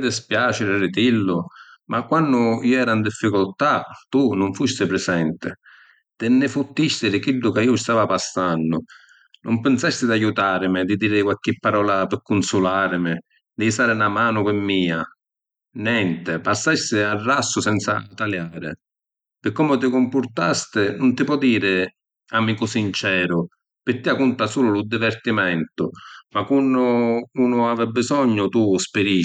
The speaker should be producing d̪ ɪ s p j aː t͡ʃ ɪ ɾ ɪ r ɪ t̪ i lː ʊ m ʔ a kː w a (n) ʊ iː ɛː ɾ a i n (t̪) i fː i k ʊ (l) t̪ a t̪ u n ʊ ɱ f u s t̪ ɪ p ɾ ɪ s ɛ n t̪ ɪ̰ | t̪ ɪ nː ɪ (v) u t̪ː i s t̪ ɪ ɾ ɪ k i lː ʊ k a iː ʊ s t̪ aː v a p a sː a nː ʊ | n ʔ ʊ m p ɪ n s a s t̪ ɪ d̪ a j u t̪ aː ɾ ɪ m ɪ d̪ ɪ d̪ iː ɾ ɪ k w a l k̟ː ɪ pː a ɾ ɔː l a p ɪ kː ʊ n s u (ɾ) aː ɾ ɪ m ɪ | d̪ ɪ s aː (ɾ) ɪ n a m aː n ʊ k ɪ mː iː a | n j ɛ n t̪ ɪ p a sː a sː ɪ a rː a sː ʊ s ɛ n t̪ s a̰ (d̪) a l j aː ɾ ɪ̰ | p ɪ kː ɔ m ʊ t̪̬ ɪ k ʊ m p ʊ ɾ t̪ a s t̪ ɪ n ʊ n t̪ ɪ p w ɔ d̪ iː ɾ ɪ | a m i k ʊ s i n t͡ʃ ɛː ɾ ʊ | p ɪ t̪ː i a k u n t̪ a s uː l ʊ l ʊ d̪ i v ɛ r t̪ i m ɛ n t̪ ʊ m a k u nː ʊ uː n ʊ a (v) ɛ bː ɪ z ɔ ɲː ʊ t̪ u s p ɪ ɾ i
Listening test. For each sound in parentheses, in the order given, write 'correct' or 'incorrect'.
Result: incorrect: nː, incorrect: d̪, correct, incorrect: f, incorrect: l, correct, incorrect: t̪, correct

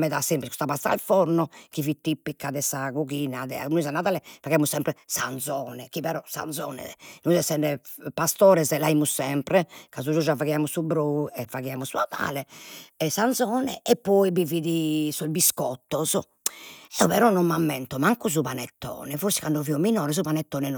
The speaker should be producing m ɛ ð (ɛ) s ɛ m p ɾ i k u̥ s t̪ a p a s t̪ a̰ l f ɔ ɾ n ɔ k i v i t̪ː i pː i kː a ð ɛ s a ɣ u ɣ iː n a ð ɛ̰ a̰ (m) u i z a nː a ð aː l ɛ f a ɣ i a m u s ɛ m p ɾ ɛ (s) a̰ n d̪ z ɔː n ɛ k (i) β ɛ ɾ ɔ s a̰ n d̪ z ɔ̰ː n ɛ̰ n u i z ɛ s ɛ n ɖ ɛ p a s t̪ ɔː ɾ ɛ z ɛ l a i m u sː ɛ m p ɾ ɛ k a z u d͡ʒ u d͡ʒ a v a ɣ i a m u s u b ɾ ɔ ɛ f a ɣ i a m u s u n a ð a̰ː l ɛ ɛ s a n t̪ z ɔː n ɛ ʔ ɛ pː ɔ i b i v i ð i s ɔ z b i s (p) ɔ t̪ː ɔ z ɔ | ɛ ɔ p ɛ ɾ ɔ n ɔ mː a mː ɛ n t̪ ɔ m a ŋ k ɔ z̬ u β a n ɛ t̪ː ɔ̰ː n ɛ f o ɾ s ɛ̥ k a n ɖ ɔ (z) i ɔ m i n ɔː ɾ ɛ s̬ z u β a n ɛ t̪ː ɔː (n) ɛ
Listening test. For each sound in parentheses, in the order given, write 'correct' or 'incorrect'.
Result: incorrect: a, incorrect: n, correct, correct, incorrect: k, incorrect: v, correct

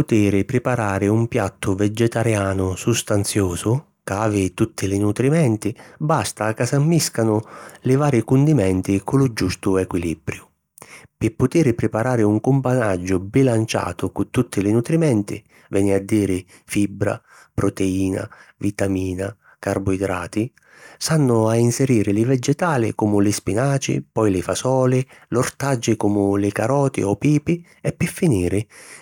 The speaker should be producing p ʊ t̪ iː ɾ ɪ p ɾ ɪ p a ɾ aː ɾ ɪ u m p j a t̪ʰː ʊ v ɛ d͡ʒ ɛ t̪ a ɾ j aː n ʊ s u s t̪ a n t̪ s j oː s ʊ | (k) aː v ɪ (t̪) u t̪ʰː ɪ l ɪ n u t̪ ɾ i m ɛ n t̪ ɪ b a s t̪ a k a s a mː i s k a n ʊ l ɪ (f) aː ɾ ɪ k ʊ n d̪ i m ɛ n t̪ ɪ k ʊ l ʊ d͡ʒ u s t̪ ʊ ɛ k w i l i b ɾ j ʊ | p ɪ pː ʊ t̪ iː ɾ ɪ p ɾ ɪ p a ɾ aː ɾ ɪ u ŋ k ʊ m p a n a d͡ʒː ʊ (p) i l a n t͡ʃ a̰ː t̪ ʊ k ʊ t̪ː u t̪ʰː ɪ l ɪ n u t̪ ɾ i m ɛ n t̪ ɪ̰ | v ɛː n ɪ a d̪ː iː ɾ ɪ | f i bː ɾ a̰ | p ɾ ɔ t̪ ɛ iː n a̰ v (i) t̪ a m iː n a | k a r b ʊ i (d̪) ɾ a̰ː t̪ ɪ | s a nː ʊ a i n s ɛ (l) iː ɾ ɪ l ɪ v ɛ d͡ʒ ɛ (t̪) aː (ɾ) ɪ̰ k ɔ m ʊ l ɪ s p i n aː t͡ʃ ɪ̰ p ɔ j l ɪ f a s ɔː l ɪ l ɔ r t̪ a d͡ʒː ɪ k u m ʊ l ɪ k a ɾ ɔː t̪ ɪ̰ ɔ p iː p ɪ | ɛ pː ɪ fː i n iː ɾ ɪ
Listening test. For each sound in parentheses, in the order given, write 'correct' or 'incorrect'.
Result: correct, correct, incorrect: v, incorrect: b, correct, correct, incorrect: ɾ, correct, incorrect: l

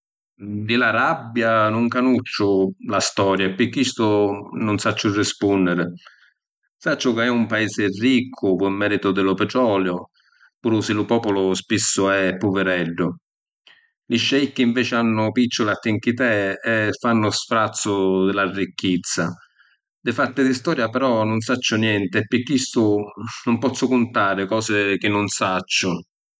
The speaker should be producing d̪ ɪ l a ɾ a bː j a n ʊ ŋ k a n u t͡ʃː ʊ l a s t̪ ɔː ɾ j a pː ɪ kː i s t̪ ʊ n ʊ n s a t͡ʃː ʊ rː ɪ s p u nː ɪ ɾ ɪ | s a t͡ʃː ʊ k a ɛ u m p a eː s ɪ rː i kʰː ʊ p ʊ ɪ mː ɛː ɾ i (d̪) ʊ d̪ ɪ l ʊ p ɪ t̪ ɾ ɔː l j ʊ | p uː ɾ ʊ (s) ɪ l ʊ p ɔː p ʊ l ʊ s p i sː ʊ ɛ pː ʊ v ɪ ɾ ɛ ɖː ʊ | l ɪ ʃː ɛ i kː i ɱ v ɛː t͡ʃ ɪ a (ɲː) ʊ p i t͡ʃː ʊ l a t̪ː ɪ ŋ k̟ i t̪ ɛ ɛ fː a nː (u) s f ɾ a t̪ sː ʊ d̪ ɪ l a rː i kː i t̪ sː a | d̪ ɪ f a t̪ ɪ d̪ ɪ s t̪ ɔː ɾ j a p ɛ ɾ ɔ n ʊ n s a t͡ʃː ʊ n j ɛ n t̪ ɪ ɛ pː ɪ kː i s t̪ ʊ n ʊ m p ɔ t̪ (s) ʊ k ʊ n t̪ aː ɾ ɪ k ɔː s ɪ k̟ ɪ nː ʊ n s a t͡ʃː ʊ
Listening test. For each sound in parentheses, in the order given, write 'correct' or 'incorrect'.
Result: incorrect: t̪, correct, incorrect: nː, incorrect: ʊ, incorrect: sː

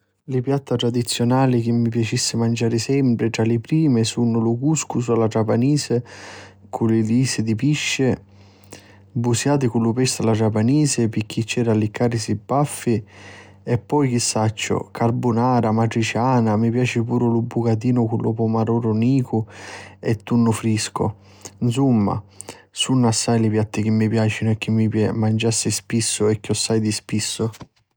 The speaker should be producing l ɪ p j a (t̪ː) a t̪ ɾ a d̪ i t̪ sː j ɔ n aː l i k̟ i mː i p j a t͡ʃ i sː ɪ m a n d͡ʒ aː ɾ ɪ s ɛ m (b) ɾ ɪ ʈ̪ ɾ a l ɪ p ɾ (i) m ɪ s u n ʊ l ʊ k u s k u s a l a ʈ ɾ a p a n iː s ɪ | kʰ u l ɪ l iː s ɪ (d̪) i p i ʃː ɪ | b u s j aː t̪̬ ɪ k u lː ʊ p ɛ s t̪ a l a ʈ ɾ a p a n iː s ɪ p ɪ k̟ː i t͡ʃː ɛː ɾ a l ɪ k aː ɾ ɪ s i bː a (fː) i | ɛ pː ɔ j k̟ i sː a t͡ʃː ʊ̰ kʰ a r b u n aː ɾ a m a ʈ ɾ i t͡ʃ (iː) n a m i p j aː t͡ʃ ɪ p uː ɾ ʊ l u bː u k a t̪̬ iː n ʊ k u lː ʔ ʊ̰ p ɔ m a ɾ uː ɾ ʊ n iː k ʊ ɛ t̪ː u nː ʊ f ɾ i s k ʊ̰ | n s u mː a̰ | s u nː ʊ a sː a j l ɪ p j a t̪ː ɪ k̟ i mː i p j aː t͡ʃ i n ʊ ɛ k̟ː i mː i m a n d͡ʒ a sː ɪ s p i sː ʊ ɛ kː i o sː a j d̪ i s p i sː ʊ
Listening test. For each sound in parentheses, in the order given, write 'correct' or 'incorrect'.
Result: correct, incorrect: p, incorrect: iː, correct, correct, incorrect: aː

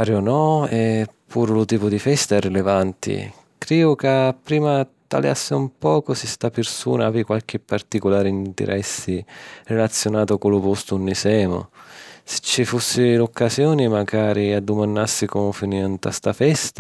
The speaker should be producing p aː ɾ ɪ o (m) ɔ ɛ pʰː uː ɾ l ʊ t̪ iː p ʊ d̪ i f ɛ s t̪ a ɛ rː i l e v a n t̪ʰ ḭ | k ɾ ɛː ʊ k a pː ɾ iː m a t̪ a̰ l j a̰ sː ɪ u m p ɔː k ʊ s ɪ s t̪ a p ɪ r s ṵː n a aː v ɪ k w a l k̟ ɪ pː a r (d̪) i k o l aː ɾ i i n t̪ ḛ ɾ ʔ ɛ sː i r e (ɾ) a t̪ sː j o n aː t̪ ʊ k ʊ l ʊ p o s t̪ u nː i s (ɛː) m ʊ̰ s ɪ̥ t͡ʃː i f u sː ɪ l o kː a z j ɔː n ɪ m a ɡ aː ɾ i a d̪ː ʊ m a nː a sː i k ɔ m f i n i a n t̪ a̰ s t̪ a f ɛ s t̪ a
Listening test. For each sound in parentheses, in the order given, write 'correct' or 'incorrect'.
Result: incorrect: n, incorrect: t̪, incorrect: l, correct

